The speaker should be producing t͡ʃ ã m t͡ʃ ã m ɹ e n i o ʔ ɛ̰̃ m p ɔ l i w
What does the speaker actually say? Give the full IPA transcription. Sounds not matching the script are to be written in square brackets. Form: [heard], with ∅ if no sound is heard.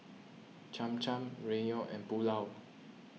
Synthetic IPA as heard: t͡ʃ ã m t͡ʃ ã m ɹ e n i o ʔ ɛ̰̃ [n] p [u] l [a] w

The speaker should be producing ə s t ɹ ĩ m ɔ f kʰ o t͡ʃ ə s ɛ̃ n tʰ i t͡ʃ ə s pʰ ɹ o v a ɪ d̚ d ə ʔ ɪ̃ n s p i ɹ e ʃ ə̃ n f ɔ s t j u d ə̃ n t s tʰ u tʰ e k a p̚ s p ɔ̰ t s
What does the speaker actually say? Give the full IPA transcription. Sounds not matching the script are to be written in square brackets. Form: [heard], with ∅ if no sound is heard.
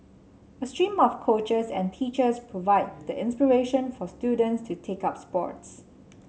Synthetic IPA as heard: ə s t ɹ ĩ m ɔ f kʰ o t͡ʃ ə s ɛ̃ n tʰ i t͡ʃ ə s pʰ ɹ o v a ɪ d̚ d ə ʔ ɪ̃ n s p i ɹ e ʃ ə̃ n f ɔ s t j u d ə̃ n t s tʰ u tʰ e k a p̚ s p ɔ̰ t s

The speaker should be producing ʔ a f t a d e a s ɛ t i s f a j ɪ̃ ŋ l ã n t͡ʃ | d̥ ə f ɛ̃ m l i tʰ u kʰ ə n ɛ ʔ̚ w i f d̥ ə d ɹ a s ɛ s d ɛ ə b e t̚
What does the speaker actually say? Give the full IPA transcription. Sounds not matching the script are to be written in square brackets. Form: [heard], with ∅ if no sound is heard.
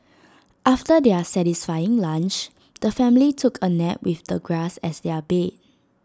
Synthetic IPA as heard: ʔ a f t [ə] d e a s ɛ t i s f a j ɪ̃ ŋ l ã n t͡ʃ | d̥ ə f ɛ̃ m l i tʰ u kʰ ə n ɛ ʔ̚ w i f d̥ ə [ɡ] ɹ a s ɛ s d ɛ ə b e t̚

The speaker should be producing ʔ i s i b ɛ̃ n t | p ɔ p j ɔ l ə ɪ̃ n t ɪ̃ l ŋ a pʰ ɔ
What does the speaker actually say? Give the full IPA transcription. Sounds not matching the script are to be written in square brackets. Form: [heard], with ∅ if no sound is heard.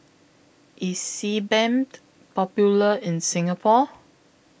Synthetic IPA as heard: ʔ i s i b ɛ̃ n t | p ɔ p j [u] l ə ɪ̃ n [s] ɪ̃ [∅] ŋ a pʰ ɔ

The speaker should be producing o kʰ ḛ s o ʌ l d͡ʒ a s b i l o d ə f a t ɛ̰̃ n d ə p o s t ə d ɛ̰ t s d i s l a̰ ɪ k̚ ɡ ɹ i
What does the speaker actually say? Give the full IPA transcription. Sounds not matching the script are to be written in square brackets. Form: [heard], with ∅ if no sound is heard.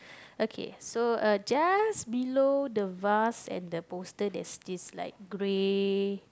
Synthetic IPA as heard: o kʰ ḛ s o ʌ [∅] d͡ʒ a s b i l o d ə [v] a [s] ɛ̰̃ n d ə p o s t ə d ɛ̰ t s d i s l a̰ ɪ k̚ ɡ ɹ [e]

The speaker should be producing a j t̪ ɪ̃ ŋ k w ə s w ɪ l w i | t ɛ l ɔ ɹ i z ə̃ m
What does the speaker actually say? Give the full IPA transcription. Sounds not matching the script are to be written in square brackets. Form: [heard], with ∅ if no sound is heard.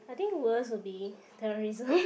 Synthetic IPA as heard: a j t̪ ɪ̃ ŋ k w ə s w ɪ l [b] i | t ɛ [ɹ] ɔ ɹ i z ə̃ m

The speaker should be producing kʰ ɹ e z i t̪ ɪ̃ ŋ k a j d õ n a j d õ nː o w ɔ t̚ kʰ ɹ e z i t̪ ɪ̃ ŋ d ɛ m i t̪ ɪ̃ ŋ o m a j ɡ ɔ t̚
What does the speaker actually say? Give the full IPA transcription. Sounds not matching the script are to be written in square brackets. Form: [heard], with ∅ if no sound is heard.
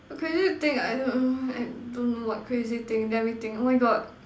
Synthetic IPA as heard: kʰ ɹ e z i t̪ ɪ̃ ŋ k a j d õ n a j d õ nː o w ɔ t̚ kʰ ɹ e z i t̪ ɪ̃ ŋ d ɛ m i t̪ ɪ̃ ŋ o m a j ɡ ɔ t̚

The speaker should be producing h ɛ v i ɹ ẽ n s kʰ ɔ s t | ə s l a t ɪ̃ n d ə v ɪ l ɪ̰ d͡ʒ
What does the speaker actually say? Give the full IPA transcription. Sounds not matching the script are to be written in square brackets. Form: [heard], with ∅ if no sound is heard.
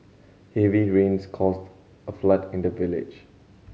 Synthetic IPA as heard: h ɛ v i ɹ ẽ n s kʰ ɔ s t | ə [f] l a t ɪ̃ n d ə v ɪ l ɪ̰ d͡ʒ

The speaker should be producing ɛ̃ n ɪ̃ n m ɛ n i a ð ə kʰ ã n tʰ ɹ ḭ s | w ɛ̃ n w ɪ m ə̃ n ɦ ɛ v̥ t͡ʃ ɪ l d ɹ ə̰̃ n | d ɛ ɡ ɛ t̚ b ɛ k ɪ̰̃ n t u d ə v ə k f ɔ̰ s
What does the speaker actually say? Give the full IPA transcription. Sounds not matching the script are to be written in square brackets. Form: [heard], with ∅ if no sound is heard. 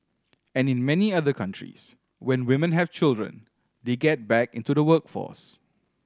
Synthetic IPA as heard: ɛ̃ n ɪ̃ n m ɛ n i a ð ə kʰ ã n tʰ ɹ ḭ s | w ɛ̃ n w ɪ m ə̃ n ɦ ɛ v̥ t͡ʃ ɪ l d ɹ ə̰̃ n | d [e] ɡ ɛ t̚ b ɛ k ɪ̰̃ n t u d ə [w] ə k f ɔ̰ s

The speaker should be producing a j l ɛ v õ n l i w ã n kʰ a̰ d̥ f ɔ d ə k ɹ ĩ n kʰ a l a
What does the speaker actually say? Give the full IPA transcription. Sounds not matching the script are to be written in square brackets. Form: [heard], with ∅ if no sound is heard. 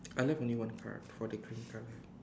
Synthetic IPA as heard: a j l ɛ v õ n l i w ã n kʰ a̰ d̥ f ɔ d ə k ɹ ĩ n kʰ a l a

